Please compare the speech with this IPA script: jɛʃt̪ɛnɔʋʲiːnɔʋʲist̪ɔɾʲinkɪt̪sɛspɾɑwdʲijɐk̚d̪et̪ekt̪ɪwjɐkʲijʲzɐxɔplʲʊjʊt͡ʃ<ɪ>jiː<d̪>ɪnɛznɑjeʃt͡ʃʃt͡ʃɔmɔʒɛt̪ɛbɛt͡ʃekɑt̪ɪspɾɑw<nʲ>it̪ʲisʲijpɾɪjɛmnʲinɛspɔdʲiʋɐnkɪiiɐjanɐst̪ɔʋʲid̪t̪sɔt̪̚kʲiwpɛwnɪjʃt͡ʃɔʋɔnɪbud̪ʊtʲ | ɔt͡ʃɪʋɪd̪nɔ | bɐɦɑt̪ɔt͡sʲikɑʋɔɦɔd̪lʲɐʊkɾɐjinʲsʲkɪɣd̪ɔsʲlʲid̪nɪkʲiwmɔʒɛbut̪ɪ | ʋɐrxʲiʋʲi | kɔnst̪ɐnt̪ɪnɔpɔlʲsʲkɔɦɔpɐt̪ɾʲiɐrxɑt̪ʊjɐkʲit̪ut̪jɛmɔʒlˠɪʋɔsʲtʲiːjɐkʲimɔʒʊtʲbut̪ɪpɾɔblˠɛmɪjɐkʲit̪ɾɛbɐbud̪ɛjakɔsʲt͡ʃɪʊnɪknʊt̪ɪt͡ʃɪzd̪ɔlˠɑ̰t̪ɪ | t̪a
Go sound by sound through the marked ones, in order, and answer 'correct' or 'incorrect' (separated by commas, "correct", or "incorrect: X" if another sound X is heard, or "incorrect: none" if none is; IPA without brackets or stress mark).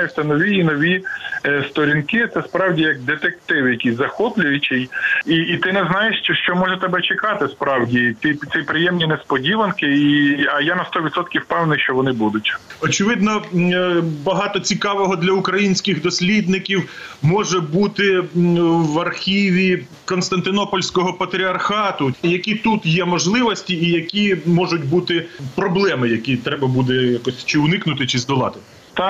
correct, incorrect: t̪, incorrect: dʲ